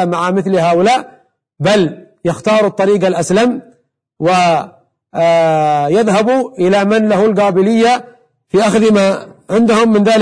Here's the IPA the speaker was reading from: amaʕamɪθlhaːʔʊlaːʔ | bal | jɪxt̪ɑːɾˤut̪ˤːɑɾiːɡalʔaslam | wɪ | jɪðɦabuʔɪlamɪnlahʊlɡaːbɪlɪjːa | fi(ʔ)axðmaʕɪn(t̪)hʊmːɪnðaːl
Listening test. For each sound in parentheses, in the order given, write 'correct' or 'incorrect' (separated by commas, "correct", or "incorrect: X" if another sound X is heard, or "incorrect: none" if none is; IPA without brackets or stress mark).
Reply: correct, incorrect: d̪